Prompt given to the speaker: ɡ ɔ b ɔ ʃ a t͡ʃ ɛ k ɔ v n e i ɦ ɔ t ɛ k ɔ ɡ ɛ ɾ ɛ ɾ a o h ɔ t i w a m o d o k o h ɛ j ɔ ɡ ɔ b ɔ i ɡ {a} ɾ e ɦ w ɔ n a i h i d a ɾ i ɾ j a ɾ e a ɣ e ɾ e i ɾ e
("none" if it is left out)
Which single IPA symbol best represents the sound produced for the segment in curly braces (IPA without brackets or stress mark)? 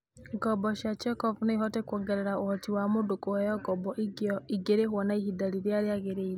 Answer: e